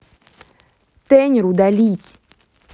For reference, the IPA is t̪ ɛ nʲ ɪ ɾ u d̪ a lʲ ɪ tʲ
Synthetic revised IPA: t̪ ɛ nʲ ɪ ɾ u d̪ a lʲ i tʲ